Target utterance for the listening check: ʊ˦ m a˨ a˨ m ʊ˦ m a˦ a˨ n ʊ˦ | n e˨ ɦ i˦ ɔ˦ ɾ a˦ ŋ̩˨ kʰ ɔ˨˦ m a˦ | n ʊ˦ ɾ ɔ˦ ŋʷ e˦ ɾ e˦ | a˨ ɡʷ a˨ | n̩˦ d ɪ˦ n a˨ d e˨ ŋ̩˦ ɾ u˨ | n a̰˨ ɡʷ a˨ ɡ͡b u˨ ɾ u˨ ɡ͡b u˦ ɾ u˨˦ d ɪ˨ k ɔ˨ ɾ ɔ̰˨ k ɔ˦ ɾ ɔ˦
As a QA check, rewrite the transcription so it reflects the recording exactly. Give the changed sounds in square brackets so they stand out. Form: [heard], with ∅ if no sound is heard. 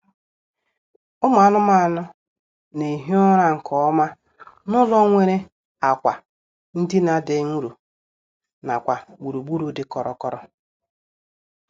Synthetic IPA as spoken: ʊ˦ m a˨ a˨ [n] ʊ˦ m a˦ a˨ n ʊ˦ | n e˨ ɦ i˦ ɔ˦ ɾ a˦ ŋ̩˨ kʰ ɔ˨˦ m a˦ | n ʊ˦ [l] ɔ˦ ŋʷ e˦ ɾ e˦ | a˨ [kʷ] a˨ | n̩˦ d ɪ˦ n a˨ d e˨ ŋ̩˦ ɾ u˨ | n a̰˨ [kʷ] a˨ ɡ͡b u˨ ɾ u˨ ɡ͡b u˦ ɾ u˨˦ d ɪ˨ k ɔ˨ ɾ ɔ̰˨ k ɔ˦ ɾ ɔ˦